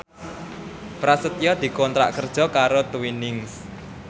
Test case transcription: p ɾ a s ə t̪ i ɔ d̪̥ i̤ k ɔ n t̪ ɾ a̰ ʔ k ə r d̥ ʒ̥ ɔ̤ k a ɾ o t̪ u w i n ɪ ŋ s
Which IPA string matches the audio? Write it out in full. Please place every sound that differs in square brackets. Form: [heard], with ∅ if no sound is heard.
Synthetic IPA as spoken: p ɾ a s ə t̪ [j] ɔ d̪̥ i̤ k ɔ n t̪ ɾ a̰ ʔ k ə r d̥ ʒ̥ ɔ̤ k a ɾ o t̪ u w i n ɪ ŋ s